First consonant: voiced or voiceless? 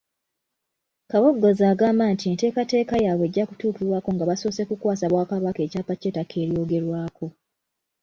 voiceless